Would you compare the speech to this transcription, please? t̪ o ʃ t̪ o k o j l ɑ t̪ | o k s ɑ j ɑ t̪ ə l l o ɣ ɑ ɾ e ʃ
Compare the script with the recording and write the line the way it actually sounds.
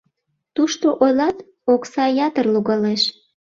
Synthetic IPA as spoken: t̪ u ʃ t̪ o ʔ o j l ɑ t̪ | o k s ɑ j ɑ t̪ ə r l u ɣ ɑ l e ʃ